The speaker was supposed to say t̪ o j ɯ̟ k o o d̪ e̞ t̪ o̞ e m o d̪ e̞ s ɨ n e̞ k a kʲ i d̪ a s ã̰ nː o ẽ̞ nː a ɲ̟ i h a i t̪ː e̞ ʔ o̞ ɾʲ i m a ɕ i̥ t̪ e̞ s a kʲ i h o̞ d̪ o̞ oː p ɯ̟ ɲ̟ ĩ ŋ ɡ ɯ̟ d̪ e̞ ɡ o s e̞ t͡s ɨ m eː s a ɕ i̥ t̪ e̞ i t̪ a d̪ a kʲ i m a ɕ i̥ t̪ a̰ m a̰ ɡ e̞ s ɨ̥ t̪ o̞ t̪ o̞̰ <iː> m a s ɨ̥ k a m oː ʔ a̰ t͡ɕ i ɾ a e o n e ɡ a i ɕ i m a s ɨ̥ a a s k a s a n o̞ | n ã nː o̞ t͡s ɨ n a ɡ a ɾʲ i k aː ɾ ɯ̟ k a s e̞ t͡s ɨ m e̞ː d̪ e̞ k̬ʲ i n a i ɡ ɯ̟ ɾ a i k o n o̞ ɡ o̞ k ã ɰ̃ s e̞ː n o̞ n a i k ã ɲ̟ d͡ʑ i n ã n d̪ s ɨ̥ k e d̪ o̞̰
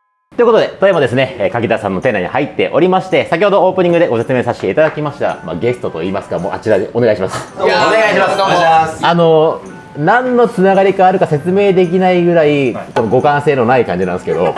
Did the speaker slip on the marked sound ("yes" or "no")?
no